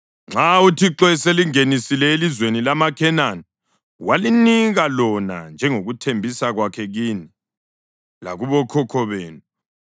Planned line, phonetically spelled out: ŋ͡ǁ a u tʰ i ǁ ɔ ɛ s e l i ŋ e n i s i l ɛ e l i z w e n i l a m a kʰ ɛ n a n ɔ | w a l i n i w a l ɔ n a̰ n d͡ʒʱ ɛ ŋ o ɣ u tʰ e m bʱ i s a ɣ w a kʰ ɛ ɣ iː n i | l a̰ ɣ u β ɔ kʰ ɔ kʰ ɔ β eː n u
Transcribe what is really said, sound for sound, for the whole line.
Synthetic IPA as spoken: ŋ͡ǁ a u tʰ i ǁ ɔ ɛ s e l i ŋ e n i s i l ɛ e l i z w e n i l a m a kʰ ɛ n a n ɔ | w a l i n i ɣ a l ɔ n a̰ n d͡ʒʱ ɛ ŋ o ɣ u tʰ e m bʱ i s a ɣ w a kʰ ɛ ɣ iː n i | l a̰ ɣ u β ɔ kʰ ɔ kʰ ɔ β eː n u

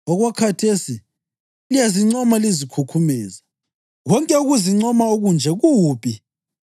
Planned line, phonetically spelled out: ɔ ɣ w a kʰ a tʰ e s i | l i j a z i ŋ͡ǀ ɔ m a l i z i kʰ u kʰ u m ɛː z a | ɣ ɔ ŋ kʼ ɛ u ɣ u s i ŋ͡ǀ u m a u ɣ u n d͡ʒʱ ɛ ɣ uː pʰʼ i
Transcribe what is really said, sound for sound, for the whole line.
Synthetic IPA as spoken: ɔ ɣ w a kʰ a tʰ e s i | l i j a z i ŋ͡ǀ ɔ m a l i z i kʰ u kʰ u m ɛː z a | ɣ ɔ ŋ kʼ ɛ u ɣ u z i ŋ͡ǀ ɔ m a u ɣ u n d͡ʒʱ ɛ ɣ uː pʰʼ i

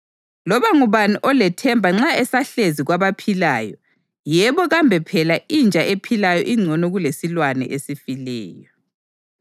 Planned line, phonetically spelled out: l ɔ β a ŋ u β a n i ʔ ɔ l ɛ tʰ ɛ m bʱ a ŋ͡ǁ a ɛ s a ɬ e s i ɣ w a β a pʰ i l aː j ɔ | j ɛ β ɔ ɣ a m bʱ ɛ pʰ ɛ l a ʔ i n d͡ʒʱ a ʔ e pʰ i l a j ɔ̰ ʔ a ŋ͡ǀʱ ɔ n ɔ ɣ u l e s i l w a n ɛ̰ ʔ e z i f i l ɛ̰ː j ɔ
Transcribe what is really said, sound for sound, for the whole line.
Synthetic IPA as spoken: l ɔ β a ŋ u β a n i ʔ ɔ l ɛ tʰ ɛ m bʱ a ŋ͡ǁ a ɛ s a ɬ e z i ɣ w a β a pʰ i l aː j ɔ | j ɛ β ɔ ɣ a m bʱ ɛ pʰ ɛ l a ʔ i n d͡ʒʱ a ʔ e pʰ i l a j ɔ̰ ʔ i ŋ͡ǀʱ ɔ n ɔ ɣ u l e s i l w a n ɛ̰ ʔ e s i f i l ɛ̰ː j ɔ

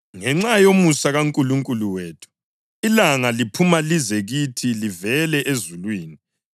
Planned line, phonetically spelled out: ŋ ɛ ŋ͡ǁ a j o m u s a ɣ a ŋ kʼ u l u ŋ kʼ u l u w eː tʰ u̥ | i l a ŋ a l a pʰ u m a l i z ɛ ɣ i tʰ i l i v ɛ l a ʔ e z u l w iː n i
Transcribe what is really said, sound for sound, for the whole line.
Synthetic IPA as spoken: ŋ ɛ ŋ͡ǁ a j o m u s a ɣ a ŋ kʼ u l u ŋ kʼ u l u w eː tʰ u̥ | i l a ŋ a l i pʰ u m a l i z ɛ ɣ i tʰ i l i v ɛ l ɛ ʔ e z u l w iː n i

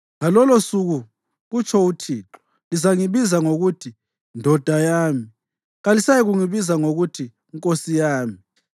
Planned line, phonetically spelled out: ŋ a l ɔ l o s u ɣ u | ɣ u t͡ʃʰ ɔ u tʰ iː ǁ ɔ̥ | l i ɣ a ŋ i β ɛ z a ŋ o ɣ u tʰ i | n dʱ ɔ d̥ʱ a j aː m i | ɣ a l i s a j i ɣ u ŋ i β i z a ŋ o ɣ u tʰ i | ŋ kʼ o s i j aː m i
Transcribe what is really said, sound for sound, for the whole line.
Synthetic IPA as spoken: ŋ a l ɔ l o s u ɣ u | ɣ u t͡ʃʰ ɔ u tʰ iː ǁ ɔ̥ | l i z a ŋ i β i z a ŋ o ɣ u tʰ i | n dʱ ɔ d̥ʱ a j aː m i | ɣ a l i s a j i ɣ u ŋ i β i z a ŋ o ɣ u tʰ i | ŋ kʼ o s i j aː m i

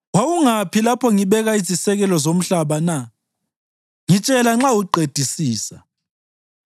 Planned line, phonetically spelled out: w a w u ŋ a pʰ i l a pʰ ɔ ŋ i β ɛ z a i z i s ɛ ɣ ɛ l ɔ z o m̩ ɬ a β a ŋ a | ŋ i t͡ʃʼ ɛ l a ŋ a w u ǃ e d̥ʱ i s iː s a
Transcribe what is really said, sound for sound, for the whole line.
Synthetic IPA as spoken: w a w u ŋ a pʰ i l a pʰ ɔ ŋ i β ɛ ɣ a i z i s ɛ ɣ ɛ l ɔ z o m̩ ɬ a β a n a | ŋ i t͡ʃʼ ɛ l a ŋ͡ǁ a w u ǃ e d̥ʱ i s iː s a

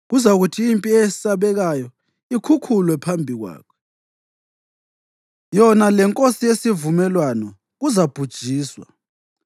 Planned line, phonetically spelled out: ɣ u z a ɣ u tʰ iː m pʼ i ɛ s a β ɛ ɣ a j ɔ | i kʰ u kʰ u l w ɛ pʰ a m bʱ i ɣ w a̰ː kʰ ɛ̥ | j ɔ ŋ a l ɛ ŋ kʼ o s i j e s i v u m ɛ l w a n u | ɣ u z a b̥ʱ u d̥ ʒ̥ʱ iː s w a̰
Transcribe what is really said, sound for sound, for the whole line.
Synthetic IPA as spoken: ɣ u z a ɣ u tʰ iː m pʼ i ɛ s a β ɛ ɣ a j ɔ | i kʰ u kʰ u l w ɛ pʰ a m bʱ i ɣ w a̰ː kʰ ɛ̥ | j ɔ n a l ɛ ŋ kʼ o s i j e s i v u m ɛ l w a n ɔ | ɣ u z a b̥ʱ u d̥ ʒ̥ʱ iː s w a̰

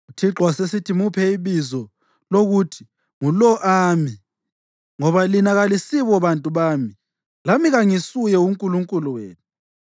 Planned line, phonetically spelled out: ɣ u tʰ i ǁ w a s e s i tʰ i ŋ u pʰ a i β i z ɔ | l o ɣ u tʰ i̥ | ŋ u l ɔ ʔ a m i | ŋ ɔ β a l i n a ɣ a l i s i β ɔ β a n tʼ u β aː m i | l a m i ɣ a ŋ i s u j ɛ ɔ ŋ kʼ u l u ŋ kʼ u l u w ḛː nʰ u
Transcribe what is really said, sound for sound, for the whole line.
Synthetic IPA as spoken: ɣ u tʰ i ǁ w a s e s i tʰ i m u pʰ ɛ i β i z ɔ | l o ɣ u tʰ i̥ | ŋ u l ɔ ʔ a m i | ŋ ɔ β a l i n a ɣ a l i s i β ɔ β a n tʼ u β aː m i | l a m i ɣ a ŋ i s u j ɛ u ŋ kʼ u l u ŋ kʼ u l u w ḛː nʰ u

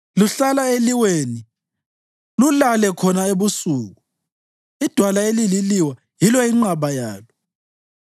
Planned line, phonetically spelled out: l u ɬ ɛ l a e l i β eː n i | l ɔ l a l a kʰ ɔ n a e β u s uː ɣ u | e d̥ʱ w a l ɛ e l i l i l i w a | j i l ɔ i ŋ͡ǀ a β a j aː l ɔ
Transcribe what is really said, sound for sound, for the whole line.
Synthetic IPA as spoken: l u ɬ a l a e l i w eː n i | l u l a l ɛ kʰ ɔ n a e β u s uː ɣ u | i d̥ʱ w a l a e l i l i l i w a | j i l ɔ i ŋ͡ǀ a β a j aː l ɔ

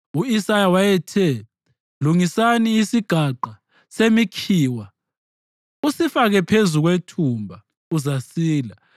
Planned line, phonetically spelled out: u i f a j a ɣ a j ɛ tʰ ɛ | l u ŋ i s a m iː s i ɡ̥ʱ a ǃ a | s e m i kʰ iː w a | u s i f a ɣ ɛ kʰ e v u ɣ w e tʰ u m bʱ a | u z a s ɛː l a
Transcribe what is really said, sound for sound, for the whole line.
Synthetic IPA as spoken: u i s a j a w a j ɛ tʰ ɛ | l u ŋ i s a n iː s i ɡ̥ʱ a ǃ a | s e m i kʰ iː w a | u s i f a ɣ ɛ pʰ e z u ɣ w e tʰ u m bʱ a | u z a s iː l a

